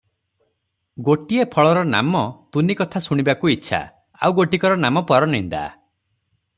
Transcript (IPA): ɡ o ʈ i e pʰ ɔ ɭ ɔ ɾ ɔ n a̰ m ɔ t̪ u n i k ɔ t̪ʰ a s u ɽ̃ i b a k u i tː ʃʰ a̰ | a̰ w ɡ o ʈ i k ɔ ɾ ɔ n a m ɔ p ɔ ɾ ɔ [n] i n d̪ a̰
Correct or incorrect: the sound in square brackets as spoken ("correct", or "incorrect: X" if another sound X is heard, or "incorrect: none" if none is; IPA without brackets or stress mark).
correct